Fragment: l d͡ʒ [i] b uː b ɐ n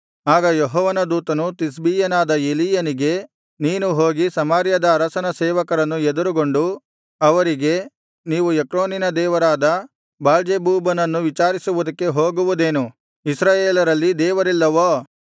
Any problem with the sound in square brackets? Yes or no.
yes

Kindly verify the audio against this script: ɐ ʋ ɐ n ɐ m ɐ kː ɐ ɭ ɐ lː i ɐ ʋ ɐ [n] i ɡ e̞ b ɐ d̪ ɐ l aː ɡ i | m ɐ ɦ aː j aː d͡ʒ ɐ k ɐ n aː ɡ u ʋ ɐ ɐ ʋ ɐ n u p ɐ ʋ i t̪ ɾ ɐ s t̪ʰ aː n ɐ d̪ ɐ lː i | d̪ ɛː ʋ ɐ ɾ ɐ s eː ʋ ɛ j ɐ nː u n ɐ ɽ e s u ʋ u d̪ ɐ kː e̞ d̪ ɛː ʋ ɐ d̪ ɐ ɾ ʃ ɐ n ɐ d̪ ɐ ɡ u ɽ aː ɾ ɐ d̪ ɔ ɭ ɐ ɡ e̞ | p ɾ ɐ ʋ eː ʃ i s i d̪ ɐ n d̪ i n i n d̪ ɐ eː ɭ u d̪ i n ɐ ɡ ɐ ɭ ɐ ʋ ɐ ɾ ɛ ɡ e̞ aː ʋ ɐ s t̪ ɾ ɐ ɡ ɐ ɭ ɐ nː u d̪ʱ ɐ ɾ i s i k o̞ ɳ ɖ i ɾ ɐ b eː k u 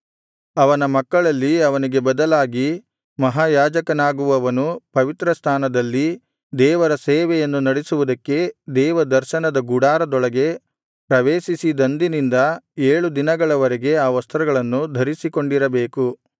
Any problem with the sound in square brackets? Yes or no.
no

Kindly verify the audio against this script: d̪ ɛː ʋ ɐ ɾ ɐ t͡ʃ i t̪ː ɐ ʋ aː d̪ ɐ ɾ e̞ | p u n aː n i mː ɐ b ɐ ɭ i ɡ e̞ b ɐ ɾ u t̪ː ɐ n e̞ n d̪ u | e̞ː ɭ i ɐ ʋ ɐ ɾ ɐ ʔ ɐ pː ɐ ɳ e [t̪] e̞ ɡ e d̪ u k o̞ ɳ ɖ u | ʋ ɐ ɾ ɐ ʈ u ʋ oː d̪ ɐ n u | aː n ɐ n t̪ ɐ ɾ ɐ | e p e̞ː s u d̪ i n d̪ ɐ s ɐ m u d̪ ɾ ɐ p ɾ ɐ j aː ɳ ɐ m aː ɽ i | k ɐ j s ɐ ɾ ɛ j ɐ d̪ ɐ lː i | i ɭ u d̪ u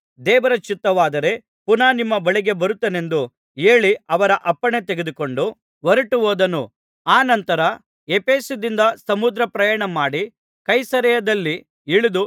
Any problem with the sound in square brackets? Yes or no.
no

